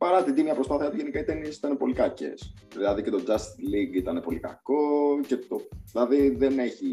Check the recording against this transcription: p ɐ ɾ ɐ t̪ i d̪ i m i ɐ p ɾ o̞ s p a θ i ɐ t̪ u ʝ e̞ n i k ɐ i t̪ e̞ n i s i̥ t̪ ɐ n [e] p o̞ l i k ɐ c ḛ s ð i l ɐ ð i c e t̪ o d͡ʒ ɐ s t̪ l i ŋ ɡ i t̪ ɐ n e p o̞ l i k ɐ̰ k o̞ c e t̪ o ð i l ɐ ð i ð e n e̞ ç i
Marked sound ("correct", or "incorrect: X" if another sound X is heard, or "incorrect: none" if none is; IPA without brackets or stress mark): correct